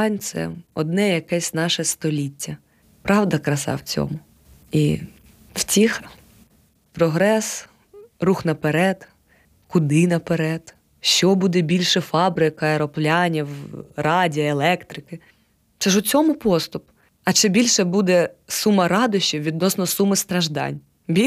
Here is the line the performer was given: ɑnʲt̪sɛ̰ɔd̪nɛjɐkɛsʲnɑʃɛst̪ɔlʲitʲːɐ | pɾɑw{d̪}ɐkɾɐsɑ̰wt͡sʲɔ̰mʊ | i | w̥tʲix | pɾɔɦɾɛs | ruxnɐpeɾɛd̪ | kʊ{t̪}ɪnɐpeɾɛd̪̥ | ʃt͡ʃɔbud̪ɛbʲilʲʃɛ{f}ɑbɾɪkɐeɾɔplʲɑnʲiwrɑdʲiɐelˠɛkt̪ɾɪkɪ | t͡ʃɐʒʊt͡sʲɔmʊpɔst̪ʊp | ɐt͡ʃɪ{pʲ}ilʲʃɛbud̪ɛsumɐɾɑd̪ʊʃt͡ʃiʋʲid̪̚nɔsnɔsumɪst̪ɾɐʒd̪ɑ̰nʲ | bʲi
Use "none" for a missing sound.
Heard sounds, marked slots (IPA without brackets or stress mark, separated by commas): d̪, d̪, f, bʲ